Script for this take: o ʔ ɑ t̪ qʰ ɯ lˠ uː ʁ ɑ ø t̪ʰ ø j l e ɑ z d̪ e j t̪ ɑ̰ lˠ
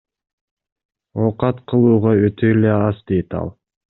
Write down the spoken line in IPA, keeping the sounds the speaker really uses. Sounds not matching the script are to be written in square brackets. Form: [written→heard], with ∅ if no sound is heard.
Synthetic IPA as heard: o [ʔ→q] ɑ t̪ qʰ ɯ lˠ uː ʁ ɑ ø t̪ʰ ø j l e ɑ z d̪ e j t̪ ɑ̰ lˠ